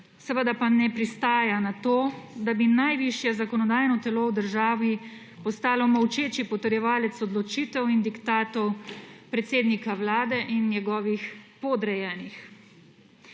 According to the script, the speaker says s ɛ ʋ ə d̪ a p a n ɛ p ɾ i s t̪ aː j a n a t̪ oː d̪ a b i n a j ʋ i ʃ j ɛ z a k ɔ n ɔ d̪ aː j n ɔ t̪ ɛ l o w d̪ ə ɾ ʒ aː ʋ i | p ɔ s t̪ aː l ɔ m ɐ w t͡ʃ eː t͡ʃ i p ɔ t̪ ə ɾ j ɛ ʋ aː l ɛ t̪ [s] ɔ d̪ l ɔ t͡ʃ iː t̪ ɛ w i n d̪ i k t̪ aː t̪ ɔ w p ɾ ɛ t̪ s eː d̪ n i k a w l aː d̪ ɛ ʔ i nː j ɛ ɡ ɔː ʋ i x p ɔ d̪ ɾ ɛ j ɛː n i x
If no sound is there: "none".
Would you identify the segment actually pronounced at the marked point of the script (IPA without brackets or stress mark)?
s